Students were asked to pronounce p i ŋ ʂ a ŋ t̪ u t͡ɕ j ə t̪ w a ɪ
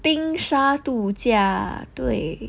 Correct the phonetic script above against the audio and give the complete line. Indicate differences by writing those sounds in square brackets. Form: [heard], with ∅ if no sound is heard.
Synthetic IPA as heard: p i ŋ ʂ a [∅] t̪ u t͡ɕ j [a] t̪ w [e] ɪ

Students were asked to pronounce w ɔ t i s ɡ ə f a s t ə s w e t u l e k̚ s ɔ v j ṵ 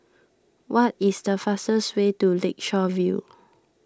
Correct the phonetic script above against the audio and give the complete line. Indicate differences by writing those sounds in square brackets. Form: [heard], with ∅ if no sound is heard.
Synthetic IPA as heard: w ɔ t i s [d] ə f a s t ə s w e t u l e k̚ [ʃ] ɔ v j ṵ

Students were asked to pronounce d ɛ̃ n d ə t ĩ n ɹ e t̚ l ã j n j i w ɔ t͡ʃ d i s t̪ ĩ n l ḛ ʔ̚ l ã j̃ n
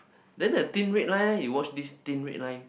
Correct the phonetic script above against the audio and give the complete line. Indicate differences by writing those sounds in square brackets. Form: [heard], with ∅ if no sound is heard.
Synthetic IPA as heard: d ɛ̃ n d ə t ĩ n ɹ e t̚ l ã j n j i w ɔ t͡ʃ d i s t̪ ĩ n [ɹ] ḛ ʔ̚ l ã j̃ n

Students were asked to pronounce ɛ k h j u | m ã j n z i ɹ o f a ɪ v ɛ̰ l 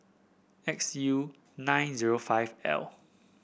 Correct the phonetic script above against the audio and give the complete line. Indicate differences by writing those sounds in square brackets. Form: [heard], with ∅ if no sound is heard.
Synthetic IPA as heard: ɛ k [s] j u | [n] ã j n z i ɹ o f a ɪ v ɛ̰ l

